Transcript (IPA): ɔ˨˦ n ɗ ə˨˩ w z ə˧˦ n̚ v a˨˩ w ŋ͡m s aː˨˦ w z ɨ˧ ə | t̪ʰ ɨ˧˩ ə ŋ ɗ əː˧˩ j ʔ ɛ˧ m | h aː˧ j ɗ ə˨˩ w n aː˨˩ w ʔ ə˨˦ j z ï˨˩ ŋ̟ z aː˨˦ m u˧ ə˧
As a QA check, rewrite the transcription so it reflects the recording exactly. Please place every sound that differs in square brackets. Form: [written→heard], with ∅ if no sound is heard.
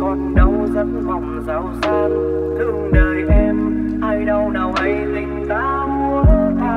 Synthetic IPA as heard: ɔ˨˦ n ɗ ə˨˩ w z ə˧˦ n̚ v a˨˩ w ŋ͡m [s→z] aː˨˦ w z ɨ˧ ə | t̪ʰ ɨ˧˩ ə ŋ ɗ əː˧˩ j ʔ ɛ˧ m | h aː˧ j ɗ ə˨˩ w n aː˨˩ w ʔ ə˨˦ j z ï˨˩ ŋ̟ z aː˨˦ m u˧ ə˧